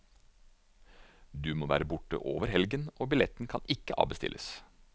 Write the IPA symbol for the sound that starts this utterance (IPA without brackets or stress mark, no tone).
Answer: d̪